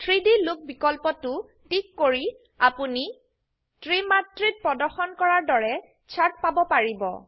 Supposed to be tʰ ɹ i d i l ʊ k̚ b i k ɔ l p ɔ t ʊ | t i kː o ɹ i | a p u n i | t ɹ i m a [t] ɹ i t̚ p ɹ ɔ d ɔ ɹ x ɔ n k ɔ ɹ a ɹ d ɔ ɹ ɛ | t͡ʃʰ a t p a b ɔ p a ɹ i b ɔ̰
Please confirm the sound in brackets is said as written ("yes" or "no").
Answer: yes